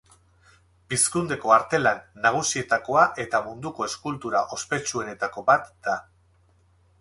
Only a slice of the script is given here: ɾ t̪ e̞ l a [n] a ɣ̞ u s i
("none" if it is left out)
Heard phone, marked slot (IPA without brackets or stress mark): nː